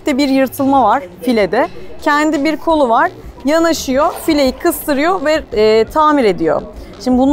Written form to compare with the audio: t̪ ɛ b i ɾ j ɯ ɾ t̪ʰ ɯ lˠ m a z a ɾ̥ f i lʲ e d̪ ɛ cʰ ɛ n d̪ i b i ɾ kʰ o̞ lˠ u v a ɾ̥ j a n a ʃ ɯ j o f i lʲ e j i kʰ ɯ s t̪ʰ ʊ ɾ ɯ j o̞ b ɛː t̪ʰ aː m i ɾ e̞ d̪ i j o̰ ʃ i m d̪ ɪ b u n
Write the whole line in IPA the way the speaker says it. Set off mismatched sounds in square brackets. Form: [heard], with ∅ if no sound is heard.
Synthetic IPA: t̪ ɛ b i ɾ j ɯ ɾ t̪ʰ ɯ lˠ m a [v] a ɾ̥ f i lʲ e d̪ ɛ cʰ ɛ n d̪ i b i ɾ kʰ o̞ lˠ u v a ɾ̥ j a n a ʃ ɯ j o f i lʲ e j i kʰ ɯ s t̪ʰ [ɯ] ɾ ɯ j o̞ [v] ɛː t̪ʰ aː m i ɾ e̞ d̪ i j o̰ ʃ i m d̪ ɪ b u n